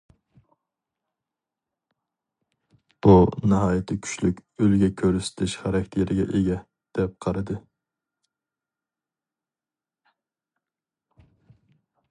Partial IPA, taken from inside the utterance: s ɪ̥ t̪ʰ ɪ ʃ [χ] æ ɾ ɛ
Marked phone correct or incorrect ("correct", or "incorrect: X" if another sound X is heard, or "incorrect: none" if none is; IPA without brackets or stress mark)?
correct